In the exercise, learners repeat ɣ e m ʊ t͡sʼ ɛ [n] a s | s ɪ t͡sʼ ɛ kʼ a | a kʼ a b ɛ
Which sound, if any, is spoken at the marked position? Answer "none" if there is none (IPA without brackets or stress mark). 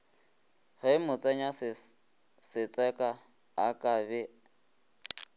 ɲ